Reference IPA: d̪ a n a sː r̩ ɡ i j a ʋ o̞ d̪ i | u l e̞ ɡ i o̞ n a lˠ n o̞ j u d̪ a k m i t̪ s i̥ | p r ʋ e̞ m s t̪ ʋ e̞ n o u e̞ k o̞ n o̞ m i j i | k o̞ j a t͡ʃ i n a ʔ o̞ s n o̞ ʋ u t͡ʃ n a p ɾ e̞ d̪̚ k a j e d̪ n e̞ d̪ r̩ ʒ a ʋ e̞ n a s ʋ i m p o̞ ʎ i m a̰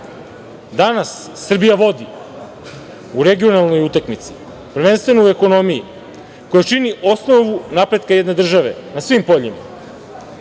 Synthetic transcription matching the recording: d̪ a n a sː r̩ b i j a ʋ o̞ d̪ i | u ɾ e̞ ɡ i o̞ n a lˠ n o̞ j u t̪ a k m i t̪ s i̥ | p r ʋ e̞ n s t̪ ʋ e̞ n o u e̞ k o̞ n o̞ m i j i | k o̞ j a t͡ʃ i n i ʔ o̞ s n o̞ ʋ u n a p ɾ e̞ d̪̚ k a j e d̪ n e̞ d̪ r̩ ʒ a ʋ e̞ n a s ʋ i m p o̞ ʎ i m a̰